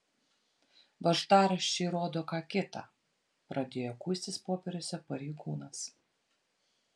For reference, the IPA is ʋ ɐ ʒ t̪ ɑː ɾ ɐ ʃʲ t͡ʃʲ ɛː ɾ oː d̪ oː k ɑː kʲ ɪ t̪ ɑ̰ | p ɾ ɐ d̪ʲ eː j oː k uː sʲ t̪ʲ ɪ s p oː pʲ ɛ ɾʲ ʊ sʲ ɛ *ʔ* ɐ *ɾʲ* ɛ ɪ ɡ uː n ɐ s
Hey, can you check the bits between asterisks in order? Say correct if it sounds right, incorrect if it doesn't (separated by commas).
incorrect, correct